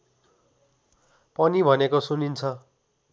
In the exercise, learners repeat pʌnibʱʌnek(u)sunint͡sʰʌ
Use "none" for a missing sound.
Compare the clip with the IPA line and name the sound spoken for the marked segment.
o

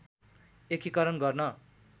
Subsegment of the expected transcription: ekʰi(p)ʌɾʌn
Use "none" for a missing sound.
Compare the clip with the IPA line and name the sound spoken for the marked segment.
k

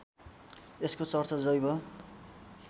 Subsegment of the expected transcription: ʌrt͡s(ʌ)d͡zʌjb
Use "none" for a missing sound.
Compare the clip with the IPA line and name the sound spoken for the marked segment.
ʌ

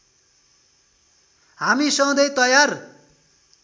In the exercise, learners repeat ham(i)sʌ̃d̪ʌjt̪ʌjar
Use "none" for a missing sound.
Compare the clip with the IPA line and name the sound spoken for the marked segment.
i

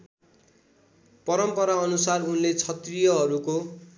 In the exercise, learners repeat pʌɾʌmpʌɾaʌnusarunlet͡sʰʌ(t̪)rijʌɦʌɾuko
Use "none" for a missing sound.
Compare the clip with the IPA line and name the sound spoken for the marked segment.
t̪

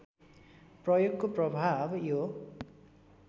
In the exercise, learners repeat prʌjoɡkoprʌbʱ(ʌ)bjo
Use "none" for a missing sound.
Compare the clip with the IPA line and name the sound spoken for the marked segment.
a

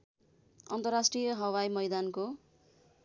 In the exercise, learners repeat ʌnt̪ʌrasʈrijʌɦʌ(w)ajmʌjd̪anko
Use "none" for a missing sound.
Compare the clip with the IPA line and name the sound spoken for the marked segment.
w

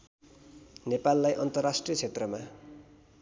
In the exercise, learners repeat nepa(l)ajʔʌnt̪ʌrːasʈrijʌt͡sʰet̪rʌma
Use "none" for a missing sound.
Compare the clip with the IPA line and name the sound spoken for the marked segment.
lː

